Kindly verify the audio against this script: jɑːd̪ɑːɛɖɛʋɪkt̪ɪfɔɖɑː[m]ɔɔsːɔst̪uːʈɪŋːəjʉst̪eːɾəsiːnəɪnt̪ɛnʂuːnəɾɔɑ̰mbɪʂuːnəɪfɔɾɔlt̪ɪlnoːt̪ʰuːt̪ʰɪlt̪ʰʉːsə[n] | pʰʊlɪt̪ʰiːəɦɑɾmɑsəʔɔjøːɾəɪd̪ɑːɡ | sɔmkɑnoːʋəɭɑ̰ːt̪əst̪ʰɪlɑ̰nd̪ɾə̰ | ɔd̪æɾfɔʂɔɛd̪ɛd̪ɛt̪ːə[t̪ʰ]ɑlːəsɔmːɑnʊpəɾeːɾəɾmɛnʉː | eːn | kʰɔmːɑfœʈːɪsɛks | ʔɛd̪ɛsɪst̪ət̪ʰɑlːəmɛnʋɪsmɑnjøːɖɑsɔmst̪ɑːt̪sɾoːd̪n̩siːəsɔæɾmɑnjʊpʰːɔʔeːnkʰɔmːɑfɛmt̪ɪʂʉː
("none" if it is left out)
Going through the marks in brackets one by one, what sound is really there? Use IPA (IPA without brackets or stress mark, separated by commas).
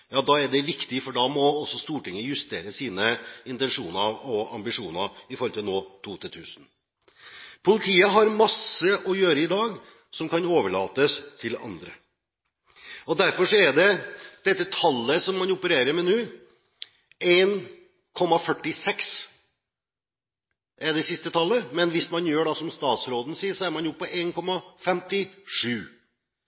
m, n, t̪ʰ